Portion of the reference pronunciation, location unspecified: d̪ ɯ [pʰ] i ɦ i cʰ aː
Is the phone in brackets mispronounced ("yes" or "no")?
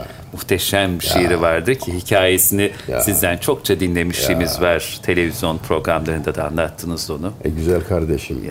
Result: yes